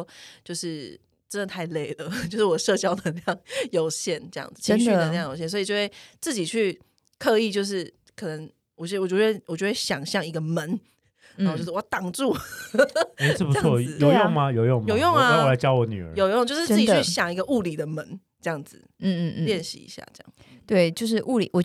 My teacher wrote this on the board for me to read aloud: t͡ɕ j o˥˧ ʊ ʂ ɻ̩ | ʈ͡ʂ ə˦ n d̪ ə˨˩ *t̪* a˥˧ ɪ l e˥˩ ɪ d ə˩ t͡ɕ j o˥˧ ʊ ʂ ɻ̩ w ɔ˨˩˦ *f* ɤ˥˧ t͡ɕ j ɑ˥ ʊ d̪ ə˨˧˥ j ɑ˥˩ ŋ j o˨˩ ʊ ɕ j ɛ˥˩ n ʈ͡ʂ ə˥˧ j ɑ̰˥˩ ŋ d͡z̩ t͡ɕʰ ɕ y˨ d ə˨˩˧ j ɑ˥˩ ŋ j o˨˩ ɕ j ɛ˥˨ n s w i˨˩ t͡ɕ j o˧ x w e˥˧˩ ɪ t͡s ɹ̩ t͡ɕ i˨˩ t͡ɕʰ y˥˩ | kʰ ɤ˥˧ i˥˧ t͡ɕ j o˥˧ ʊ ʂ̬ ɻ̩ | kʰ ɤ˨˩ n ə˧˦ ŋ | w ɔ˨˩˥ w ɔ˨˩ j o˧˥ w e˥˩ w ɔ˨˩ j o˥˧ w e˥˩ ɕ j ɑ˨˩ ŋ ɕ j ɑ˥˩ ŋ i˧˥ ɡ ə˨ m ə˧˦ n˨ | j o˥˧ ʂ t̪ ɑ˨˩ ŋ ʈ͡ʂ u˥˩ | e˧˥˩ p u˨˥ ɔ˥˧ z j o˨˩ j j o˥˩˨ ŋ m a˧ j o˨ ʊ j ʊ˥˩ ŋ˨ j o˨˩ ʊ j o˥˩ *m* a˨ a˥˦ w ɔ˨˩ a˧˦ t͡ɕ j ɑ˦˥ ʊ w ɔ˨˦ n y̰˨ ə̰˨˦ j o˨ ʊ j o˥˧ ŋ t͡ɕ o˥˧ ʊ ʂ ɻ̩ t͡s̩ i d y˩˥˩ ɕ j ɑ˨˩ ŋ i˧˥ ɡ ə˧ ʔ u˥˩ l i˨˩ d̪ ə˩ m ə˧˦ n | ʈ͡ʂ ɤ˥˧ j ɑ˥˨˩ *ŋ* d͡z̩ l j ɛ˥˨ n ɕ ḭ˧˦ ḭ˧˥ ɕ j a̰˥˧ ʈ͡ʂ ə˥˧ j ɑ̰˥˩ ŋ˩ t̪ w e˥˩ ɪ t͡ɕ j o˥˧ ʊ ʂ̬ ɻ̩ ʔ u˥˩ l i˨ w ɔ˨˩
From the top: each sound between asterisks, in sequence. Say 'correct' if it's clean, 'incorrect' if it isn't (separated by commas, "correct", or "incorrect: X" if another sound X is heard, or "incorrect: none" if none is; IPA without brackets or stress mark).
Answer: incorrect: t̪ʰ, incorrect: ʂ, incorrect: ŋ, correct